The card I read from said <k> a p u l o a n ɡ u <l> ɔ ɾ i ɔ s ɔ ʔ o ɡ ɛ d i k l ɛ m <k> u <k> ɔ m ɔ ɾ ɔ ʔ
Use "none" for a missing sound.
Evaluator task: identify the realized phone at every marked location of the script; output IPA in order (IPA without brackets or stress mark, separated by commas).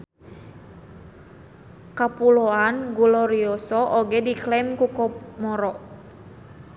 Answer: k, l, k, k